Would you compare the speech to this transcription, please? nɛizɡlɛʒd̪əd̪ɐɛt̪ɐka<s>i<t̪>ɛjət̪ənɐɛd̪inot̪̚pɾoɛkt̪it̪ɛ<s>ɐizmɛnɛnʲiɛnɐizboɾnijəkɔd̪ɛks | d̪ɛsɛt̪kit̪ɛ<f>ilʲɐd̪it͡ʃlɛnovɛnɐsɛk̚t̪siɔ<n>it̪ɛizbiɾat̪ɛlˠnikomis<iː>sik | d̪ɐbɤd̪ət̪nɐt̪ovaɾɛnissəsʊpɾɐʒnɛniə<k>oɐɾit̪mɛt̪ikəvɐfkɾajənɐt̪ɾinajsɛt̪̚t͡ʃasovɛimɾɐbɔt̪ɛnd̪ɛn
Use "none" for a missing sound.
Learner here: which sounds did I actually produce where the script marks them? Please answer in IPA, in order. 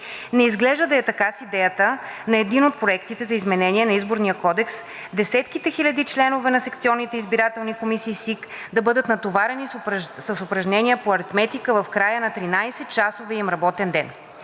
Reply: s, d̪, z, x, nː, iː, p

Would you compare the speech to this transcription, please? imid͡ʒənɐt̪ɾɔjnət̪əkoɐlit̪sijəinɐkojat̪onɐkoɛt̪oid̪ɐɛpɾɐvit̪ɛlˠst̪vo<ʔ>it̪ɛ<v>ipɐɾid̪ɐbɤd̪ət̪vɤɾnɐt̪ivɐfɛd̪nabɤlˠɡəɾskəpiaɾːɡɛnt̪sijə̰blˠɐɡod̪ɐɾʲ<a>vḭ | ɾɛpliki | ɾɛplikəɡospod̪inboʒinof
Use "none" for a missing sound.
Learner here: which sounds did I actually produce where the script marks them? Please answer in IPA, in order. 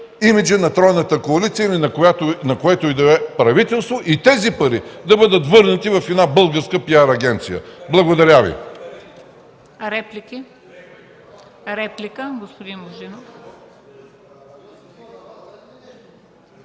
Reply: ʔ, z, a

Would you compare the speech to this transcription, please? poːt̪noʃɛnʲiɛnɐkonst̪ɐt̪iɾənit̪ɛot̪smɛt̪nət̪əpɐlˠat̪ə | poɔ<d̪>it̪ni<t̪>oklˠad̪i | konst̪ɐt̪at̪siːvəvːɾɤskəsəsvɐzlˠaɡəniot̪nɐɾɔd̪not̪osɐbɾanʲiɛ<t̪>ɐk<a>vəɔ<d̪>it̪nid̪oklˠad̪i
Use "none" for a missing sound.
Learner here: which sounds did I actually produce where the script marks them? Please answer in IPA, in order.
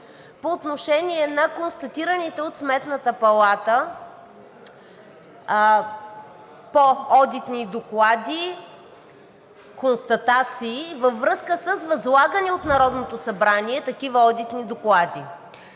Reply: d̪, d̪, t̪, i, d̪

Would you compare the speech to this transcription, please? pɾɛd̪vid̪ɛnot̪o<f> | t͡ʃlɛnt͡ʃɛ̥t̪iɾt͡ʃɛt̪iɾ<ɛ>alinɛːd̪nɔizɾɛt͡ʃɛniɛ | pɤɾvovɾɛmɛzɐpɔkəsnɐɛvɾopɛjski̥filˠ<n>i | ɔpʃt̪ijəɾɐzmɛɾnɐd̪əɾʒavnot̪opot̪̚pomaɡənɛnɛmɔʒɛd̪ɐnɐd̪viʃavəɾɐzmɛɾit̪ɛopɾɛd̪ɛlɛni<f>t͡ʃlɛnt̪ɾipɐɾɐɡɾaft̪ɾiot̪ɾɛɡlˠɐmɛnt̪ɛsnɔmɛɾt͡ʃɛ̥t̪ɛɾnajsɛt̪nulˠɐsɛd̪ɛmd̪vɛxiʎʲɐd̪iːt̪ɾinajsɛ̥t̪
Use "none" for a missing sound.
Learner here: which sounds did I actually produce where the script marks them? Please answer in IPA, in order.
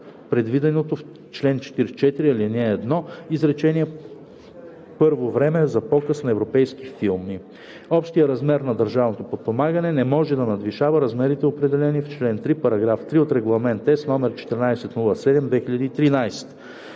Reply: f, i, m, f

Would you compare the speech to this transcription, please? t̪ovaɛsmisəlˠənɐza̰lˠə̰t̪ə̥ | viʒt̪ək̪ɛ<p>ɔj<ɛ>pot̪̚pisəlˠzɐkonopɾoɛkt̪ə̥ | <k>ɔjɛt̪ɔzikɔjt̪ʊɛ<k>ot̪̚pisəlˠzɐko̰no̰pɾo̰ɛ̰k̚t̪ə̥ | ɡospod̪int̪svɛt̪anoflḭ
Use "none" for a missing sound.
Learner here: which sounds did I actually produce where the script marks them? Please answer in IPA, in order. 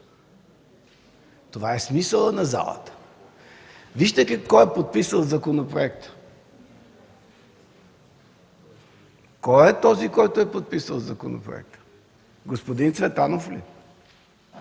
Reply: k, ɛ, k, p

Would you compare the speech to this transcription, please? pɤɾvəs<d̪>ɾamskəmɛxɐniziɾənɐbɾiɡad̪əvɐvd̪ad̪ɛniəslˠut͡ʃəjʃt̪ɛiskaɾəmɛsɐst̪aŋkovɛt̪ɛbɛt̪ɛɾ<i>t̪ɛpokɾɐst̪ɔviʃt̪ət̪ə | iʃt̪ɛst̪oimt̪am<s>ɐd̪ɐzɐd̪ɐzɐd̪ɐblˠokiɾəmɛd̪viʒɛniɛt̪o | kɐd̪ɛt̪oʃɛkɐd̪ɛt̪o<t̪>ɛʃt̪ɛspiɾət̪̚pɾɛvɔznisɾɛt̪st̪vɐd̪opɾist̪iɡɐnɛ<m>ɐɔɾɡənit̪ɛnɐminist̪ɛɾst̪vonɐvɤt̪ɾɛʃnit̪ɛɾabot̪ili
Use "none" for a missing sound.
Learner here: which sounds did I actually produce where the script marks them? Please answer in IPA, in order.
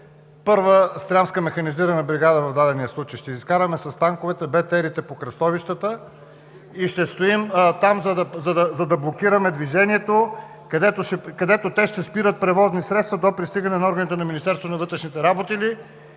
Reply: t̪, i, z, t̪, n

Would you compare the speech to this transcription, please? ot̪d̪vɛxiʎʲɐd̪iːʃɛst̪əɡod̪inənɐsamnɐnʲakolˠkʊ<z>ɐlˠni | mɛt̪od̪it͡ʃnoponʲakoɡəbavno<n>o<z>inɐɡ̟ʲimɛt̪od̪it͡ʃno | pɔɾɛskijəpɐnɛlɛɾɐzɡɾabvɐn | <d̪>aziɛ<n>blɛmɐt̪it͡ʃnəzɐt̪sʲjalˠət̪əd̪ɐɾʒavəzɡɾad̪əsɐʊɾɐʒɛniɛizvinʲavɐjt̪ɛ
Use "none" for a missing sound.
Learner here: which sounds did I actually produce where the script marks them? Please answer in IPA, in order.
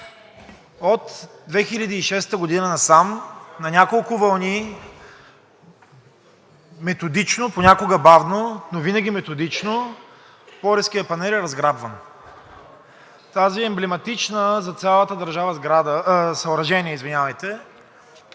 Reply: v, n, v, t̪, m

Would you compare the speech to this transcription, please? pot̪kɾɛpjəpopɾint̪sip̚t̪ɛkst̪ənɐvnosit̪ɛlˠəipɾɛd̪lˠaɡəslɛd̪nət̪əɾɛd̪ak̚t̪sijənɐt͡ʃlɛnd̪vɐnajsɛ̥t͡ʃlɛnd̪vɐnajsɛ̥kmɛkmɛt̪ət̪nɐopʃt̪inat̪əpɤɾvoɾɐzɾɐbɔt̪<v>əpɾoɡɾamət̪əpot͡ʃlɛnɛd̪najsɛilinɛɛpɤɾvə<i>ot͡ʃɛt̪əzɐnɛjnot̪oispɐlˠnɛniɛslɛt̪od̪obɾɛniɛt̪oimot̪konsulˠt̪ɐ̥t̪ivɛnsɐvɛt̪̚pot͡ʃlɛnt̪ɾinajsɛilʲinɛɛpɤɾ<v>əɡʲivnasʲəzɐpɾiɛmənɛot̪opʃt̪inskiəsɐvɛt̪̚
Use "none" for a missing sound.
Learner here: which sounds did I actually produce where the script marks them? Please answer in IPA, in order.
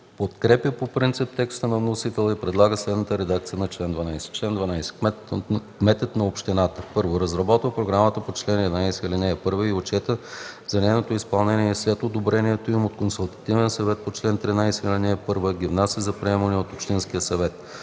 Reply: v, i, v

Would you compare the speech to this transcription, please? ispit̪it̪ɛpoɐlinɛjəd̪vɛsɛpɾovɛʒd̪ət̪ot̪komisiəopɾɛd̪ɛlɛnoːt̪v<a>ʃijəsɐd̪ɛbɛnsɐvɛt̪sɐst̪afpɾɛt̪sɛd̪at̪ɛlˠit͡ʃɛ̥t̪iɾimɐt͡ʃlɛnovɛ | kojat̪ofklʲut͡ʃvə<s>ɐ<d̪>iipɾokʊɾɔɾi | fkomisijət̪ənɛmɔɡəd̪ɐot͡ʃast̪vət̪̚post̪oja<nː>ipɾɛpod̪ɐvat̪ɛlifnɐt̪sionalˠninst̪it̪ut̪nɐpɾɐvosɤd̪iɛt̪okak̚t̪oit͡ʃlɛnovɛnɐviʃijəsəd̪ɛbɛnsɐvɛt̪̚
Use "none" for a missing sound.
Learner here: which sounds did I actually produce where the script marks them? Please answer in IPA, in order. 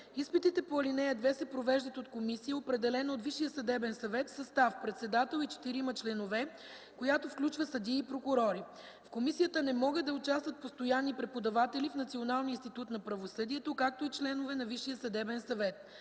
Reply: i, s, d̪, nː

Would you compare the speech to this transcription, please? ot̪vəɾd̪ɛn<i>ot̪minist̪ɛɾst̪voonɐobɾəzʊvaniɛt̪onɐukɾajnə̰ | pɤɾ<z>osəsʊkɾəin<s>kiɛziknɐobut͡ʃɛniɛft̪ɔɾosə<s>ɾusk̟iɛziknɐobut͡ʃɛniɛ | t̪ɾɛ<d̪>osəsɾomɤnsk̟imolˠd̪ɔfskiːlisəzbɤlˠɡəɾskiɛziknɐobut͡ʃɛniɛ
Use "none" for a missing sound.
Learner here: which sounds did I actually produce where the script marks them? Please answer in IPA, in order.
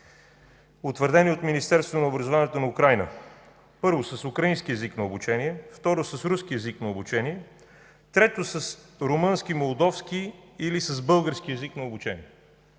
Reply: i, v, s, s, t̪

